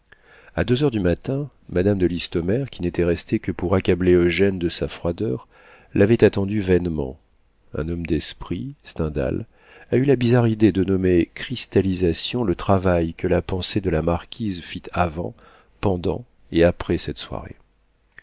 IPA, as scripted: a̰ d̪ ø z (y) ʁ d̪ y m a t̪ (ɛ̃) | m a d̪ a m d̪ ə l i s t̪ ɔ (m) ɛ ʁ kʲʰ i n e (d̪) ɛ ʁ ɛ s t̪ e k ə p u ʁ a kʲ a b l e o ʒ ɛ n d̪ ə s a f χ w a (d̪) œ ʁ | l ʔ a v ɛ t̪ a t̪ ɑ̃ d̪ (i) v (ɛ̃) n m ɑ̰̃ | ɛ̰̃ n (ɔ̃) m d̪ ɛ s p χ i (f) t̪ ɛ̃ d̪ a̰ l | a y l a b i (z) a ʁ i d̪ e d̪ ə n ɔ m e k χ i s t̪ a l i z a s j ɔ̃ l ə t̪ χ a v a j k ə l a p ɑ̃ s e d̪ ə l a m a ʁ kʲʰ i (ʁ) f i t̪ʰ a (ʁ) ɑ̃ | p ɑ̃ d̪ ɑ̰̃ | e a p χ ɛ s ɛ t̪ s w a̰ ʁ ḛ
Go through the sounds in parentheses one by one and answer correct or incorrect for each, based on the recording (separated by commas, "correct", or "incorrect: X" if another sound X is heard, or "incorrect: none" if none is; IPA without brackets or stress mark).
incorrect: œ, correct, correct, incorrect: t̪, correct, incorrect: y, incorrect: ɛ, incorrect: ɔ, incorrect: s, correct, incorrect: z, incorrect: v